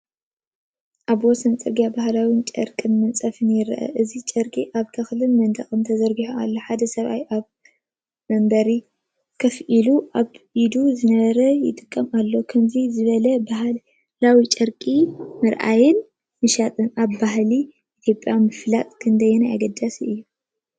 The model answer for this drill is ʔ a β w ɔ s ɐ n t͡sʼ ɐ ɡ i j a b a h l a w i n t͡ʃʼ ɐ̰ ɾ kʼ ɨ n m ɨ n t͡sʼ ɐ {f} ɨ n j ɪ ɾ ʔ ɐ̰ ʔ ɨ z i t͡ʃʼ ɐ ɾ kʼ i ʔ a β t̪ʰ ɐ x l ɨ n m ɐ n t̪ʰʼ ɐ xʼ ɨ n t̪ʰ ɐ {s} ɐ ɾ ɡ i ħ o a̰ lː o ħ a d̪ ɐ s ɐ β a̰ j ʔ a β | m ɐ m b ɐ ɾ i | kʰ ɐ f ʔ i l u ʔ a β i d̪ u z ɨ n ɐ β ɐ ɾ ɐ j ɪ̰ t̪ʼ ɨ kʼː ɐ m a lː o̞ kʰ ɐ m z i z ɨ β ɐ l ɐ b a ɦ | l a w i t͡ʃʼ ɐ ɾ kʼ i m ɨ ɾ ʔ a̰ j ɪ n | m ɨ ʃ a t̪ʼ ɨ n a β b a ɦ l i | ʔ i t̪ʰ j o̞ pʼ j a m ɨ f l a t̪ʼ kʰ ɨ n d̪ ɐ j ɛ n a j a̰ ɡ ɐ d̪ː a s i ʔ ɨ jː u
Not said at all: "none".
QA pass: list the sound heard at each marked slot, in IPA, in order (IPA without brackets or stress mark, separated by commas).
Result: f, z